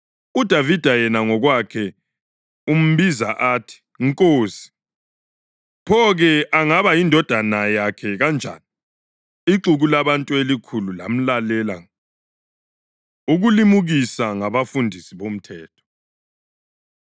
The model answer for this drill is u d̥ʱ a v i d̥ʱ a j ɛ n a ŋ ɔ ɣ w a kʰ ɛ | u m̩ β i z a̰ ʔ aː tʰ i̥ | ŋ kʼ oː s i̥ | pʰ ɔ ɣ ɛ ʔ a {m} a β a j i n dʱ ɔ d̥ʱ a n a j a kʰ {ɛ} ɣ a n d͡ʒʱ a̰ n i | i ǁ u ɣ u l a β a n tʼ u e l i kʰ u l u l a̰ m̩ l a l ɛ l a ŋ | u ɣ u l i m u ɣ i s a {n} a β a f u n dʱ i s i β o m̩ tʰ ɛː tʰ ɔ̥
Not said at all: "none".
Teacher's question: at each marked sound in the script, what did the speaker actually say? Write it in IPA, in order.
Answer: ŋ, ɛ, ŋ

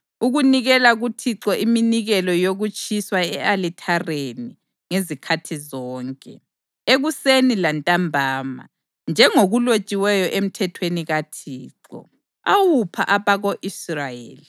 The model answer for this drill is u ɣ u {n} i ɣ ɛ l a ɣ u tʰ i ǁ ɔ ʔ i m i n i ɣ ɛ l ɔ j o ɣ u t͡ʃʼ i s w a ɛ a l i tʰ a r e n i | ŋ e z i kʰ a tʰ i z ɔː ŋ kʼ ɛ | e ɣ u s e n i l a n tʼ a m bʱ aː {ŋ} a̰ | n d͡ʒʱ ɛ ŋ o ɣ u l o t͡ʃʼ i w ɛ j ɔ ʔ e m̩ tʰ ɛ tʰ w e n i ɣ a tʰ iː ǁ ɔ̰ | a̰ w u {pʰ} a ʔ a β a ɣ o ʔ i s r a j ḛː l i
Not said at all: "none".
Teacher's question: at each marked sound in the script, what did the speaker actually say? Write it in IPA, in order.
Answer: n, m, pʰ

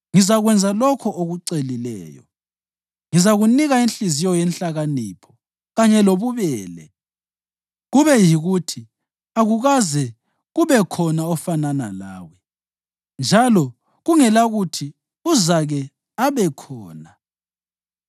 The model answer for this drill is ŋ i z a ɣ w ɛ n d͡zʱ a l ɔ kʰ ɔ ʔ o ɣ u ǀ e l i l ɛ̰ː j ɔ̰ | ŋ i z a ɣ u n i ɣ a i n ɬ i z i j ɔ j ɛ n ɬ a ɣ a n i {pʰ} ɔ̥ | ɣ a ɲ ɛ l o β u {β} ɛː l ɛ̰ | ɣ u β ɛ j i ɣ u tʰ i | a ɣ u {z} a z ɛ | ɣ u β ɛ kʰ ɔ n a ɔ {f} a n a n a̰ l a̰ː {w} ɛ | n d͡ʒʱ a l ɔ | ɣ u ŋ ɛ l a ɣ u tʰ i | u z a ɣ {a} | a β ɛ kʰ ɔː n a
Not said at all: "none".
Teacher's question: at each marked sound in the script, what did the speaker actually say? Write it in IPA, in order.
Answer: pʰ, β, ɣ, f, w, ɛ

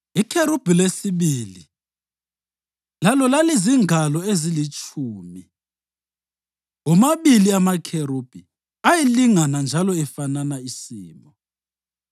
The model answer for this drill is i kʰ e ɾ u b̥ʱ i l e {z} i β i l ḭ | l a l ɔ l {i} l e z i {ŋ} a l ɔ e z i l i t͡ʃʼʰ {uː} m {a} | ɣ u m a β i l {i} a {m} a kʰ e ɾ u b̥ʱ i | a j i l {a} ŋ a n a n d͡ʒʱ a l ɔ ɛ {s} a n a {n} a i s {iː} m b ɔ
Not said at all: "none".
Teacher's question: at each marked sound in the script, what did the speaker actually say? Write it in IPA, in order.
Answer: s, a, ŋ, uː, i, i, m, i, f, n, iː

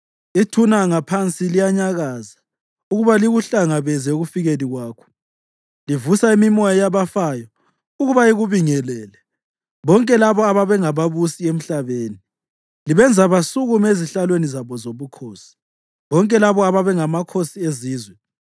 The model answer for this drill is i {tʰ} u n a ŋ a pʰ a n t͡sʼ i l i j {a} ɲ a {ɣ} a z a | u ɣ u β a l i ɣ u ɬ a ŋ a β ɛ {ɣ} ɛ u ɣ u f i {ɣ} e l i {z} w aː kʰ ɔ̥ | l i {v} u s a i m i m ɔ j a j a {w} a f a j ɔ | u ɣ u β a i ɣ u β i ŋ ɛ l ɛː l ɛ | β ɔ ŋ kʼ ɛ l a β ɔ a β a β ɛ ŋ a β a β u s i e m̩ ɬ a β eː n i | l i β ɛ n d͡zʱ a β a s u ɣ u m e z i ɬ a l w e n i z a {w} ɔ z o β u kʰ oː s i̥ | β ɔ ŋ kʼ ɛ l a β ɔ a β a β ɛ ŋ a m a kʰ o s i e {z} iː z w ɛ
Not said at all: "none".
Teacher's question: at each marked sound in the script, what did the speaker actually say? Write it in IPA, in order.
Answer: tʰ, a, ɣ, z, ɣ, ɣ, v, β, β, z

